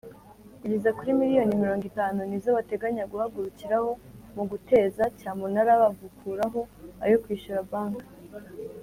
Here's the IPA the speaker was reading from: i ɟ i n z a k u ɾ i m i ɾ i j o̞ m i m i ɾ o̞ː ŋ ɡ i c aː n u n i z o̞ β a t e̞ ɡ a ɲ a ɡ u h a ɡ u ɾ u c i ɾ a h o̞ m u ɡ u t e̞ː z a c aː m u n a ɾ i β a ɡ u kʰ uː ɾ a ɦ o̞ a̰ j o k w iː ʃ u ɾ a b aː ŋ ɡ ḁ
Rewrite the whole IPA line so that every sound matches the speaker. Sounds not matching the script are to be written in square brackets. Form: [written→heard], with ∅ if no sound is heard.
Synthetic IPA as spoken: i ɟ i [n→∅] z a k u ɾ i m i ɾ i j o̞ [m→n] i m i ɾ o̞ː ŋ ɡ i [c→t] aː n u n i z o̞ β a t e̞ ɡ a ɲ a ɡ u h a ɡ u ɾ u c i ɾ a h o̞ m u ɡ u t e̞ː z a c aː m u n a ɾ [i→a] β a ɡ u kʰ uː ɾ a ɦ o̞ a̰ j o k w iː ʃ u ɾ a b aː ŋ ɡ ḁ